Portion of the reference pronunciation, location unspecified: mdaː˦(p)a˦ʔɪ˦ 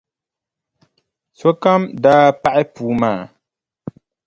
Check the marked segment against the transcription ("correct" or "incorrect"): correct